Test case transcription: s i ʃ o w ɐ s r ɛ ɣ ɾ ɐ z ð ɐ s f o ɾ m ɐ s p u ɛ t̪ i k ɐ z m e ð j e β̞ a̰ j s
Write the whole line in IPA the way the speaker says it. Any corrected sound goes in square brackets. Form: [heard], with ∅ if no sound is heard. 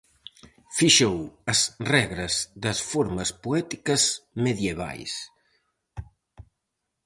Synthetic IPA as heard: [f] i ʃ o w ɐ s r ɛ ɣ ɾ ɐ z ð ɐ s f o ɾ m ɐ s p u ɛ t̪ i k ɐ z m e ð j e β̞ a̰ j s